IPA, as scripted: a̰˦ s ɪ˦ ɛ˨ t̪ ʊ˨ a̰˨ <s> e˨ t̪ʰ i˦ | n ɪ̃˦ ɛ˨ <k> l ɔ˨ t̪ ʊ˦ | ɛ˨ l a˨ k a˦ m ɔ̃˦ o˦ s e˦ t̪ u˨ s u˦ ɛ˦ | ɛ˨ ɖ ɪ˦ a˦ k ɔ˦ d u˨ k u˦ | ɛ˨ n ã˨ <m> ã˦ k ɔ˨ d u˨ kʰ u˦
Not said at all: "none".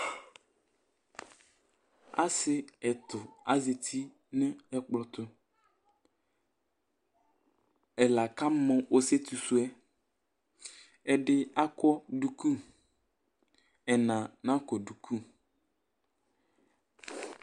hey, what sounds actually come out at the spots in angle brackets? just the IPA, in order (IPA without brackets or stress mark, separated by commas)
z, k͡p, n